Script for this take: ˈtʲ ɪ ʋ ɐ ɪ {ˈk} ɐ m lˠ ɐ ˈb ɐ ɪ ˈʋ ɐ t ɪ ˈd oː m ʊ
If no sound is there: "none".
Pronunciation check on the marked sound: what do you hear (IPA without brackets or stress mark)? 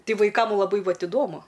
k